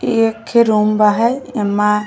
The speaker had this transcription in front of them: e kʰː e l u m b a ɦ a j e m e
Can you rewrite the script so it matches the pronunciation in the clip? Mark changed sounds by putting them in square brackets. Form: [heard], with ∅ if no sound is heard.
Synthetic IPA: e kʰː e [ɾ] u m b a ɦ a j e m [a]